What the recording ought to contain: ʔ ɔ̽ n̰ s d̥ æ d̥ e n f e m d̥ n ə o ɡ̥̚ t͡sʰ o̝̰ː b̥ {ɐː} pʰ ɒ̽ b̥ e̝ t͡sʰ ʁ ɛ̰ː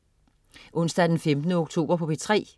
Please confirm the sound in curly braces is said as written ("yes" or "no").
no